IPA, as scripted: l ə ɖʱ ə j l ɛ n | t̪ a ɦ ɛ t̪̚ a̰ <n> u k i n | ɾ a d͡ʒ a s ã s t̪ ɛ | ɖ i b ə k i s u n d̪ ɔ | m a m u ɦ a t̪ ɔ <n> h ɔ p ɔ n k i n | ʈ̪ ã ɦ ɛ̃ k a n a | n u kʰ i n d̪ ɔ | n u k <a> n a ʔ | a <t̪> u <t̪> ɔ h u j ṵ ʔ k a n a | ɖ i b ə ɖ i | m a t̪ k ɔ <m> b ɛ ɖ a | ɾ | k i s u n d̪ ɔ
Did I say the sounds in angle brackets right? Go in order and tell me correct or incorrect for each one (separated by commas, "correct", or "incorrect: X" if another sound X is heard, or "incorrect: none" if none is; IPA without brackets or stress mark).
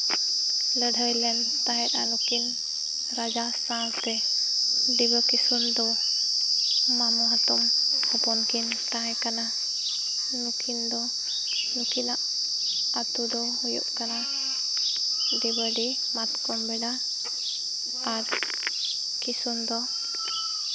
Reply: correct, incorrect: m, incorrect: i, correct, incorrect: d̪, correct